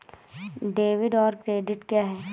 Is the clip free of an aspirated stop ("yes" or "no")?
yes